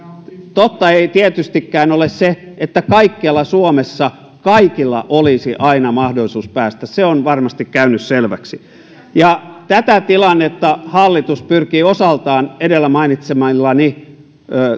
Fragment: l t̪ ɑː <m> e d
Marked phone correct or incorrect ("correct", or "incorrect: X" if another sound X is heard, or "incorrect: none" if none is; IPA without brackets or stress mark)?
incorrect: n